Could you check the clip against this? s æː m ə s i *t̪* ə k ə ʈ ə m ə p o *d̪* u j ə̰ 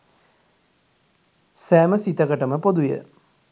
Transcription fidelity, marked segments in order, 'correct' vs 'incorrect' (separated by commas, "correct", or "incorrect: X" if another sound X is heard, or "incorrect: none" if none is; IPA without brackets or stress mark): correct, correct